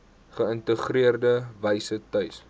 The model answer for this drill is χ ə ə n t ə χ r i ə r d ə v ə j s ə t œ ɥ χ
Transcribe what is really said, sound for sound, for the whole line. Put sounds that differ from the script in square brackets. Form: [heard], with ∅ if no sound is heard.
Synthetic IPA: χ ə ə n t ə χ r i ə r d ə v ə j s ə t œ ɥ [s]